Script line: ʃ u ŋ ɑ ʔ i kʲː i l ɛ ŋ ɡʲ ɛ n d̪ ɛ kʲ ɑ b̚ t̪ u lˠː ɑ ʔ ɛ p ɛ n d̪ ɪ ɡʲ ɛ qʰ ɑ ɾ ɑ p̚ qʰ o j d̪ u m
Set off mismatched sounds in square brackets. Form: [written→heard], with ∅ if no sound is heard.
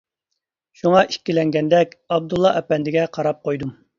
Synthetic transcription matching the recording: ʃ u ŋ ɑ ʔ i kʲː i l ɛ ŋ ɡʲ ɛ n d̪ ɛ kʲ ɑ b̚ [t̪→d̪] u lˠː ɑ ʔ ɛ p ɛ n d̪ ɪ ɡʲ ɛ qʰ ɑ ɾ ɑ p̚ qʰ o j d̪ u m

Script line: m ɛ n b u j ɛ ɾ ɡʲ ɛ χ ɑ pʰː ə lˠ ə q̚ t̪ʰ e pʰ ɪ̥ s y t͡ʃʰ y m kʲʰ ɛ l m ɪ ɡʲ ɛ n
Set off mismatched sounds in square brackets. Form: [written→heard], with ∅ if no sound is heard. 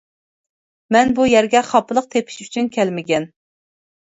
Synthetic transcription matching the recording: m ɛ n b u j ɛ ɾ ɡʲ ɛ χ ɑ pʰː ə lˠ ə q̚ t̪ʰ e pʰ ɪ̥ [s→ʃ] y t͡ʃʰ y [m→n] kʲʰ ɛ l m ɪ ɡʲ ɛ n

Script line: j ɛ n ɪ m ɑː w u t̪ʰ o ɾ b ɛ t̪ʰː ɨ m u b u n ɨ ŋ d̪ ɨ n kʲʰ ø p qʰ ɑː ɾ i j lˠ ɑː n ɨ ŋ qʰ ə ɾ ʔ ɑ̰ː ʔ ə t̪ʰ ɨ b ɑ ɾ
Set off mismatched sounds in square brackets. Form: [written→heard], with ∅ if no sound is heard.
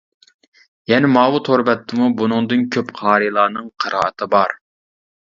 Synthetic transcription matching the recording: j ɛ n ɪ m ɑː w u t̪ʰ o ɾ b ɛ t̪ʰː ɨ m u b u n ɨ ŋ d̪ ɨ n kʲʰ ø p qʰ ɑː ɾ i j lˠ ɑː n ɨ ŋ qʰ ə ɾ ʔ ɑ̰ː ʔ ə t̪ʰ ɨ b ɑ ɾ

